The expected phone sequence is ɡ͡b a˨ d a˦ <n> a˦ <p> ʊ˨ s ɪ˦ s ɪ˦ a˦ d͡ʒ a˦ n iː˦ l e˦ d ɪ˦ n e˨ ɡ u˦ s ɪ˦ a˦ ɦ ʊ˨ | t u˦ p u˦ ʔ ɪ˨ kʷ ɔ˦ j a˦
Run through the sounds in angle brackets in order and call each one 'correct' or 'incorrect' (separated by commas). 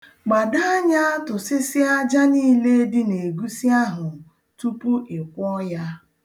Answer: incorrect, incorrect